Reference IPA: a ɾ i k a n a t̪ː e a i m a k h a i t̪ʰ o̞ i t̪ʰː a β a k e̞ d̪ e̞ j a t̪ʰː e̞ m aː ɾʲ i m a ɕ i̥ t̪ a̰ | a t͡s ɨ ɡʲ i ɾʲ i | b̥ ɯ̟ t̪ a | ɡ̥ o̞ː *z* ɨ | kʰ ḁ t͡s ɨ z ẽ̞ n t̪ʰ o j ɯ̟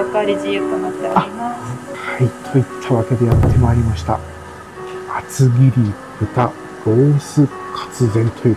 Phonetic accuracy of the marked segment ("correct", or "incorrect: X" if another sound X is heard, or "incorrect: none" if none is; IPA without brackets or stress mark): incorrect: s